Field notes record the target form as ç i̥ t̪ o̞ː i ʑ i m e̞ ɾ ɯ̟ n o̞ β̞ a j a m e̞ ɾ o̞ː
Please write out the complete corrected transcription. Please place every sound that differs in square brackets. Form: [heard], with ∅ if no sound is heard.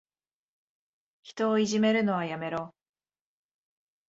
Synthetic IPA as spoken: ç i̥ t̪ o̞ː i ʑ i m e̞ ɾ ɯ̟ n o̞ β̞ a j a m e̞ ɾ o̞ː